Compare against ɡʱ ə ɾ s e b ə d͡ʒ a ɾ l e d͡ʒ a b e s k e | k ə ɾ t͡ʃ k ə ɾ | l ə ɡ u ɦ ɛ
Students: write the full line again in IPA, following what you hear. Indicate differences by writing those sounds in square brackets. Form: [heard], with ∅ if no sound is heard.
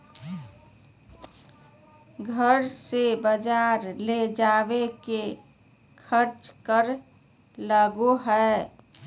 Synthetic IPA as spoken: ɡʱ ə ɾ s e b ə d͡ʒ a ɾ l e d͡ʒ a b e [∅] k e | [kʰ] ə ɾ t͡ʃ k ə ɾ | l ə ɡ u ɦ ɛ

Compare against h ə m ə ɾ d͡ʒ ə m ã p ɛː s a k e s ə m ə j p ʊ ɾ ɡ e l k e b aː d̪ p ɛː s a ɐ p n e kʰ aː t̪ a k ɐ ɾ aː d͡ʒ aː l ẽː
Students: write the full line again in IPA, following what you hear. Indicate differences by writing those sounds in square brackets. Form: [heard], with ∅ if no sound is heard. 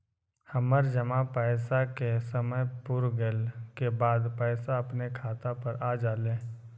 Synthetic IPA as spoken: h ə m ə ɾ d͡ʒ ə m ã p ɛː s a k e s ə m ə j p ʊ ɾ ɡ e l k e b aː d̪ p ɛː s a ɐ p n e kʰ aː t̪ a [p] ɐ ɾ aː d͡ʒ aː l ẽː

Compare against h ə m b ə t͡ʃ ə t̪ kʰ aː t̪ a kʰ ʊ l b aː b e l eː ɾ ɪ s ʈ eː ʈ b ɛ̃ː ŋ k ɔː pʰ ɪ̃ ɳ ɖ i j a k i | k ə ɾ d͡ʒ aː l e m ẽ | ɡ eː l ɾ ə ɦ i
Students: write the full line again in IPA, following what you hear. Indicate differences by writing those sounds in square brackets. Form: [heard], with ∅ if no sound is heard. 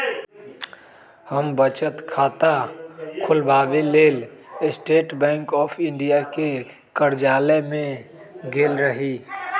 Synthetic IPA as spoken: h ə m b ə t͡ʃ ə t̪ kʰ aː t̪ a kʰ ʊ l b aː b e l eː [l] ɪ s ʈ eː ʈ b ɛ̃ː ŋ k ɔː pʰ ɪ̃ ɳ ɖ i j a k [e] | k ə ɾ d͡ʒ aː l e m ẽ | ɡ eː l ɾ ə ɦ i

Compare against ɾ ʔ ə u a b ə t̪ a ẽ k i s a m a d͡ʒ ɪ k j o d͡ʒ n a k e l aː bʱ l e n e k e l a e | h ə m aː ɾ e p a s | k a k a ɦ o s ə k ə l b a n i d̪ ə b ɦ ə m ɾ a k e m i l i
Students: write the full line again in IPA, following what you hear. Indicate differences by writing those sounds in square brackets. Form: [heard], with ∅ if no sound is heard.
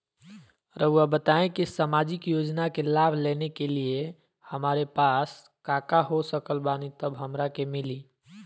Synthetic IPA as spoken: ɾ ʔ ə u a b ə t̪ a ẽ k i s a m a d͡ʒ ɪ k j o d͡ʒ n a k e l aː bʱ l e n e k e l [i] e | h ə m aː ɾ e p a s | k a k a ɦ o s ə k ə l b a n i [t̪] ə b ɦ ə m ɾ a k e m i l i

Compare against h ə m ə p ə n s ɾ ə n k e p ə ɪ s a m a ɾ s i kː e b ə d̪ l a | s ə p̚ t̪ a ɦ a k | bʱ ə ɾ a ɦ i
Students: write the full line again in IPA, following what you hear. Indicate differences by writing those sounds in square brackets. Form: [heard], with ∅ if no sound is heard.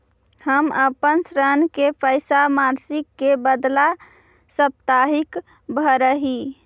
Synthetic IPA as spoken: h ə m ə p ə n s ɾ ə n k e p ə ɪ s a m a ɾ s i kː e b ə d̪ l a | s ə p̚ t̪ a ɦ [i] k | bʱ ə ɾ [ə] ɦ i

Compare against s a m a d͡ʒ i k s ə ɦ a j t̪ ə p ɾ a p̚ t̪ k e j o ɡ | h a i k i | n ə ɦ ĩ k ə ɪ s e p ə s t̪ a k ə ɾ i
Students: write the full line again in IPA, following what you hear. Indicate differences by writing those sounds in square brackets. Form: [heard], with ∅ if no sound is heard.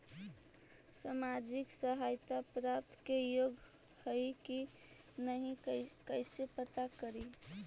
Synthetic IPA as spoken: s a m a d͡ʒ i k s ə ɦ a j t̪ [a] p ɾ a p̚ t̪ k e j o ɡ | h [ə] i k i | n ə ɦ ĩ k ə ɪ s e p ə [∅] t̪ a k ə ɾ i

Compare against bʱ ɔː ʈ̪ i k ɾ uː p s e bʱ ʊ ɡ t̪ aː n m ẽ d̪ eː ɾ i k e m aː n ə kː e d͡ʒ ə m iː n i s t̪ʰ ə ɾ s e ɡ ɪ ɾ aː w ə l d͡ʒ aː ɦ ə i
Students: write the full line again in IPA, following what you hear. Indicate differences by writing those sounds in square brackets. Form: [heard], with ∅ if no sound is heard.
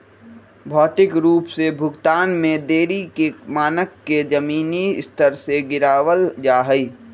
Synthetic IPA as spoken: bʱ ɔː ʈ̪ [ɪ] k ɾ uː p s e bʱ ʊ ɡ t̪ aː n m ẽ d̪ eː ɾ i k e m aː n ə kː e d͡ʒ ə m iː n i s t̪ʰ ə ɾ s e ɡ ɪ ɾ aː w ə l d͡ʒ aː ɦ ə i

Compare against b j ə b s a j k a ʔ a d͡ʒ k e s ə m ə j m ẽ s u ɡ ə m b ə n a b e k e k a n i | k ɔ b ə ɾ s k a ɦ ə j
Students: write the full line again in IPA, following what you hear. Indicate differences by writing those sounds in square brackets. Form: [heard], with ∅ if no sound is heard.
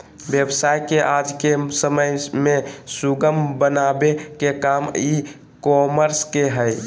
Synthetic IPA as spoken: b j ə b s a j k [e] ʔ a d͡ʒ k e s ə m ə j m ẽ s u ɡ ə m b ə n a b e k e k a [m] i | k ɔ [m] ə ɾ s k [e] ɦ ə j

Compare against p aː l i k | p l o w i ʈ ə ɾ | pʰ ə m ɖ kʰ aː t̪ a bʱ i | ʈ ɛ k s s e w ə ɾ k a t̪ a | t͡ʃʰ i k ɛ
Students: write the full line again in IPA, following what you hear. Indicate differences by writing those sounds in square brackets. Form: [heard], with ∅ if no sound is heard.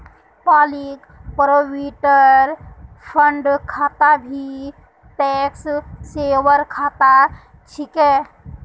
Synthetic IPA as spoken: p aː l i k | p [ɾ] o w i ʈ ə ɾ | pʰ ə [ɳ] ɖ kʰ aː t̪ a bʱ i | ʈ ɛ k s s e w ə ɾ [kʰ] a t̪ a | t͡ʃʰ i k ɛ

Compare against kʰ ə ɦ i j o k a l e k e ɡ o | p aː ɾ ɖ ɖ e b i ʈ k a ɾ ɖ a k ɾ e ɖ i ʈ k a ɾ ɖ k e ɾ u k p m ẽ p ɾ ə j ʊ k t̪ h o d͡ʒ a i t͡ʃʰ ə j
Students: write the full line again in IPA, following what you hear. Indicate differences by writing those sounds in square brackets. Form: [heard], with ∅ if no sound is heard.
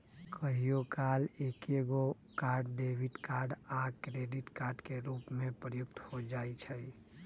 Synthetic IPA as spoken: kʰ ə ɦ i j o k a l e k e ɡ o | [k] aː ɾ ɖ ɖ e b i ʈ k a ɾ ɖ a k ɾ e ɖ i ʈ k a ɾ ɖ k e ɾ u [∅] p m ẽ p ɾ ə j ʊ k t̪ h o d͡ʒ a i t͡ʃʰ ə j

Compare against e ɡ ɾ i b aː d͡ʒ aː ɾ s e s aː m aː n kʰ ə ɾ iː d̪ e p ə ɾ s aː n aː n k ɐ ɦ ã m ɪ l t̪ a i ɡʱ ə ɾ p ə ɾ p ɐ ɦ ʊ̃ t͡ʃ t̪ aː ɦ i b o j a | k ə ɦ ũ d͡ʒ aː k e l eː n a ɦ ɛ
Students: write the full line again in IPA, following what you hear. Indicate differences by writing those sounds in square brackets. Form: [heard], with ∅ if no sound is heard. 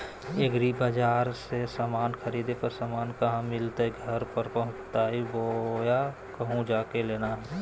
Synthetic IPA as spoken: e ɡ ɾ i b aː d͡ʒ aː ɾ s e s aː m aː n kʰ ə ɾ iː d̪ e p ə ɾ s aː [m] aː n k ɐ ɦ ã m ɪ l t̪ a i ɡʱ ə ɾ p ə ɾ p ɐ ɦ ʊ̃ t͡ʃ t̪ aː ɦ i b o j a | k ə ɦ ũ d͡ʒ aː k e l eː n a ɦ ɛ

